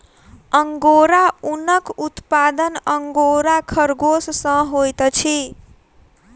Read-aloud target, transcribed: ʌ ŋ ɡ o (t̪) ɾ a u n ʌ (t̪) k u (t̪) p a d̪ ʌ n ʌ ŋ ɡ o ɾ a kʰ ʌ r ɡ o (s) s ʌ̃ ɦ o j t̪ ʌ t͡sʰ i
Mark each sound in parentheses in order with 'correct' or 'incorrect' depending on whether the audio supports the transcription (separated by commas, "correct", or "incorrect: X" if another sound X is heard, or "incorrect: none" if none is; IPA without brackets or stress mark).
incorrect: none, incorrect: none, correct, correct